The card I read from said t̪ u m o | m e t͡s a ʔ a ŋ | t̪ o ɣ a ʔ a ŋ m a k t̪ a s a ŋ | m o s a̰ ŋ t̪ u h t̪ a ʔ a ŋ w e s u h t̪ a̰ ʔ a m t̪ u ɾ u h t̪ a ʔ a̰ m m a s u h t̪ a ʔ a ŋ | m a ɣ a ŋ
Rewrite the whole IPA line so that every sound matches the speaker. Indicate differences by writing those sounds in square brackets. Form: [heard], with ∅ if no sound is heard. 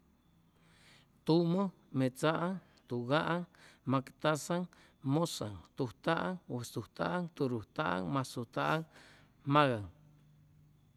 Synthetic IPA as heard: t̪ u m o | m e t͡s a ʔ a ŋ | t̪ [u] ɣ a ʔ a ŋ m a k t̪ a s a ŋ | m o s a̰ ŋ t̪ u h t̪ a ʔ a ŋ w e s u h t̪ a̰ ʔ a [ŋ] t̪ u ɾ u h t̪ a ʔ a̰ [ŋ] m a s u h t̪ a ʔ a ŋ | m a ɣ a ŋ